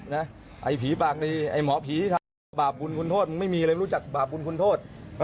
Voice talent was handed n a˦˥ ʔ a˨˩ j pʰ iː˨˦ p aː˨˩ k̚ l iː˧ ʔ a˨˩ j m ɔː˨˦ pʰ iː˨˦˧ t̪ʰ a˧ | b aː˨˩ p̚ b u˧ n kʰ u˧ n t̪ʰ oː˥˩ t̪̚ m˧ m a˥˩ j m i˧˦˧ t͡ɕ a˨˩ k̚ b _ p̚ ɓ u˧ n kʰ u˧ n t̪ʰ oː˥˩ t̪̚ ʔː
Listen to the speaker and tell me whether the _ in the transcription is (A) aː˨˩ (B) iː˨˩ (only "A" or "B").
A